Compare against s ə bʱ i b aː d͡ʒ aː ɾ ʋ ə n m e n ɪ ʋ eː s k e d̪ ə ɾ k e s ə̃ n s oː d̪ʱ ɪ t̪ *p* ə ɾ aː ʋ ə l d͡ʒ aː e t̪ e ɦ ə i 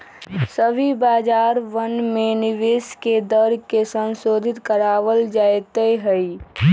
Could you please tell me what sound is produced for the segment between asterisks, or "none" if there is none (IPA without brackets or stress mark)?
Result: k